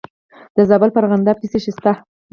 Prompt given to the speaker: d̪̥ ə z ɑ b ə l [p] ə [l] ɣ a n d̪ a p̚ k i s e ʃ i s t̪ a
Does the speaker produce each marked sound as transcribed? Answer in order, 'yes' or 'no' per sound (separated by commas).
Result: yes, no